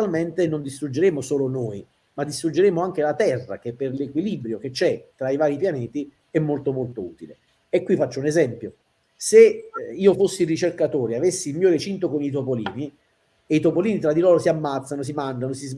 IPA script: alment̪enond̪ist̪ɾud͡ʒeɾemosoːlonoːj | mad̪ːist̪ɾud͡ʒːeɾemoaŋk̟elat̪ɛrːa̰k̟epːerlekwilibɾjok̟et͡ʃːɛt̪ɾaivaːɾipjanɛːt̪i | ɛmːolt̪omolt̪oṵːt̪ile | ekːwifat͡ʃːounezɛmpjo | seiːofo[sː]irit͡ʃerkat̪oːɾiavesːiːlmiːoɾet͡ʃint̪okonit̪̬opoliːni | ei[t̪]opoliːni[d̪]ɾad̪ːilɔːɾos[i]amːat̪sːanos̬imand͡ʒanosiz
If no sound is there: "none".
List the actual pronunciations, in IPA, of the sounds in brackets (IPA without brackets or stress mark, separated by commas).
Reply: sː, t̪, t̪, i